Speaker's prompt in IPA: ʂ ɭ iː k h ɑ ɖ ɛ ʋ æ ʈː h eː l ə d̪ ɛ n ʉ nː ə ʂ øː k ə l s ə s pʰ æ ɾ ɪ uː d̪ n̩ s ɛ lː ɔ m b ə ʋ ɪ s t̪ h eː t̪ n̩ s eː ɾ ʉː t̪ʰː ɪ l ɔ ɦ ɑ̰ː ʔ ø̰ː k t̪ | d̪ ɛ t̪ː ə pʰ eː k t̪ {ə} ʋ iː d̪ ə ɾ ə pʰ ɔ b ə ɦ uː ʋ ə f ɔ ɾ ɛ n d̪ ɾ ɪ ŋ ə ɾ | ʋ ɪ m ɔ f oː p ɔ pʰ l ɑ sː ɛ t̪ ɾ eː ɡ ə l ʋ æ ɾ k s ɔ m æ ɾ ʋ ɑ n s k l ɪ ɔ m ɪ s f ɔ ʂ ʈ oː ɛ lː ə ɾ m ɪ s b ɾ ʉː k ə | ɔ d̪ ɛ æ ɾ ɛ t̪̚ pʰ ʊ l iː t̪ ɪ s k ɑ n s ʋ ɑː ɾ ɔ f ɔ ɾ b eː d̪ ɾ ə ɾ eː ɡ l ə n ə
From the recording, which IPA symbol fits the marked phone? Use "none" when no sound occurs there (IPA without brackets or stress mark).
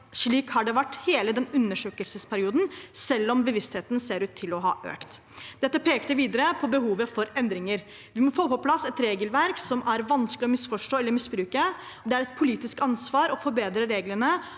ə